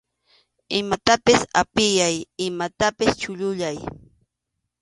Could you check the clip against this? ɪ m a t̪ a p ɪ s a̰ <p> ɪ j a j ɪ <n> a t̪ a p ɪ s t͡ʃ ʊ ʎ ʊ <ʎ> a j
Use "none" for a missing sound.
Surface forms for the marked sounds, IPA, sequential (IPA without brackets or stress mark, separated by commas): p, m, ʎ